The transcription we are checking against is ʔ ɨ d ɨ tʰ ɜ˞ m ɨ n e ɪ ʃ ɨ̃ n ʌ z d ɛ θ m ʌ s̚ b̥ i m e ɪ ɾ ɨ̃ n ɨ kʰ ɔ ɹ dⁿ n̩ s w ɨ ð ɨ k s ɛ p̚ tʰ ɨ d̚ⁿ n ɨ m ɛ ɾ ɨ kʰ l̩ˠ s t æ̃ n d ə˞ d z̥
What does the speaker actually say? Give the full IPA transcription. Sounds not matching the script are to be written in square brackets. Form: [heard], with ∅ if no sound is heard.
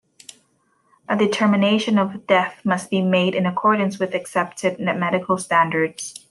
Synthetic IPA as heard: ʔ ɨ d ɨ tʰ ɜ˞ m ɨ n e ɪ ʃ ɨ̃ n ʌ [v] d ɛ θ m ʌ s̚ b̥ i m e ɪ ɾ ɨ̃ n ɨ kʰ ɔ ɹ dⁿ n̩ s w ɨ ð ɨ k s ɛ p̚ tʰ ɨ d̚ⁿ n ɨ m ɛ ɾ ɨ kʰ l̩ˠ s t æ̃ n d ə˞ d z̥

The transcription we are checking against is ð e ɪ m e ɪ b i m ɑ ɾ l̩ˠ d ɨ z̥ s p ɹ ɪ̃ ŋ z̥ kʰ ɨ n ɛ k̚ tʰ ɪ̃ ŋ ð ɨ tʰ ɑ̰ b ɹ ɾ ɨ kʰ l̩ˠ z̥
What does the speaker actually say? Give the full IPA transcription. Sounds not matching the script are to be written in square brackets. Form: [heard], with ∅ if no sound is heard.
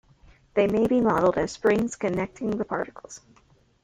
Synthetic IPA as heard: ð e ɪ m e ɪ b i m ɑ ɾ l̩ˠ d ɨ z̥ s p ɹ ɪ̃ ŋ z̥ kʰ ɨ n ɛ k̚ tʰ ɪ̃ ŋ ð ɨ [pʰ] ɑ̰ [∅] ɹ ɾ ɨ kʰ l̩ˠ z̥

